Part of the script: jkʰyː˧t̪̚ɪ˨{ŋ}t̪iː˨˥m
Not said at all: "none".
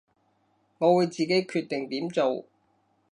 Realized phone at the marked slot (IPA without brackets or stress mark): ŋ